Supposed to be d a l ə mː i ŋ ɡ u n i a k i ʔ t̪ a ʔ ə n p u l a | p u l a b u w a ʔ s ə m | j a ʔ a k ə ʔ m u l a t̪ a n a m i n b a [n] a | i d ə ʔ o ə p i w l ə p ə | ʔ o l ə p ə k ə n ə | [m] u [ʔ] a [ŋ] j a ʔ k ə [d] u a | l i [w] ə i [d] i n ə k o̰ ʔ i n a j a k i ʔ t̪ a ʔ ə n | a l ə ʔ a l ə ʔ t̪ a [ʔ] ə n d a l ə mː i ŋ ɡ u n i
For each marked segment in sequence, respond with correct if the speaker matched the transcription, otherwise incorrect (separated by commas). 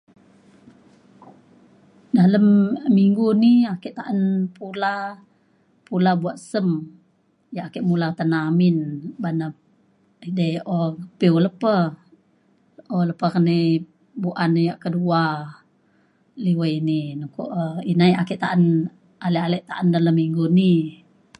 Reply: correct, incorrect, correct, incorrect, correct, correct, incorrect, correct